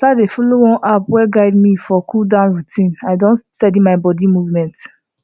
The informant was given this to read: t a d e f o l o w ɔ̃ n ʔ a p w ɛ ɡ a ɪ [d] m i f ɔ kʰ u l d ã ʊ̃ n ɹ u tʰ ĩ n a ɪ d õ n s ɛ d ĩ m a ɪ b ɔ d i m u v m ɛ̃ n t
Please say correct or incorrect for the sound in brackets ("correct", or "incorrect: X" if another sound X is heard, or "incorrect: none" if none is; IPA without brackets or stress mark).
correct